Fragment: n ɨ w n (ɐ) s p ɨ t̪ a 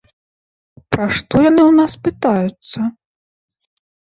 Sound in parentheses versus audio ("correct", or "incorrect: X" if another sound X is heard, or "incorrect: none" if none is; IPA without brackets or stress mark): incorrect: a